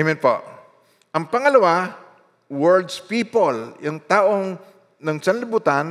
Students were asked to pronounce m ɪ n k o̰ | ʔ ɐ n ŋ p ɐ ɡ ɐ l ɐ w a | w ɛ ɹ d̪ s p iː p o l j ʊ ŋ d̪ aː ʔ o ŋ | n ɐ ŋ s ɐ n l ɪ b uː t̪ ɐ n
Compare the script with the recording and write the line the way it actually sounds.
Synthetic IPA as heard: m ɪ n p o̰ | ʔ ɐ ŋ p ɐ ŋ ɐ l ɐ w a | w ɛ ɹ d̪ s p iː p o l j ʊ ŋ t̪ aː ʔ o ŋ | n ɐ ŋ s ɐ n l ɪ b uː t̪ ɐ n